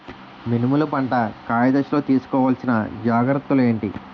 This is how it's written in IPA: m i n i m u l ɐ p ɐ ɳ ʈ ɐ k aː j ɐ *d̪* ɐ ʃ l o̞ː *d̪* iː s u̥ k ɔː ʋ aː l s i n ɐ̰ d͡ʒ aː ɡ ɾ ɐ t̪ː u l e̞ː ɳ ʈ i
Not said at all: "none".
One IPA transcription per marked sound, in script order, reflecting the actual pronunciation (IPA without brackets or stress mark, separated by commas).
d̪, t̪